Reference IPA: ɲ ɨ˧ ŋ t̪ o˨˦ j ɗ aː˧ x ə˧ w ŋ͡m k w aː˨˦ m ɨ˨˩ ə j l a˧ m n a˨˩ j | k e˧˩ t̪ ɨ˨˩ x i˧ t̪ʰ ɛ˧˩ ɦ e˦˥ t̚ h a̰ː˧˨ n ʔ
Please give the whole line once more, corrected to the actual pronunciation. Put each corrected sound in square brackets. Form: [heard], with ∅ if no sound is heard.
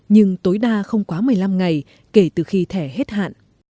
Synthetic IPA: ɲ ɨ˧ ŋ t̪ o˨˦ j ɗ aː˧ x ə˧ w ŋ͡m k w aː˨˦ m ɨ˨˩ ə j l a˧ m [ŋ] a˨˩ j | k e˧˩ t̪ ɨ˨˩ x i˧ t̪ʰ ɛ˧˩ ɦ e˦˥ t̚ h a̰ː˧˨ n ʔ